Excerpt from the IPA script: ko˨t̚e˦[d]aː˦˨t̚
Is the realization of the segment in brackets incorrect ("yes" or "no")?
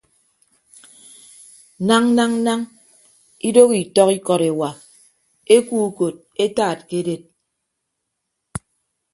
yes